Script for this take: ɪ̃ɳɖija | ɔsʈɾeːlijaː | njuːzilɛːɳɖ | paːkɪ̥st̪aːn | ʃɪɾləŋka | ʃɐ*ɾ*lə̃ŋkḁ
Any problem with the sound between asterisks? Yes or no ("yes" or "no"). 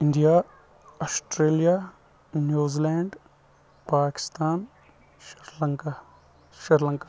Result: no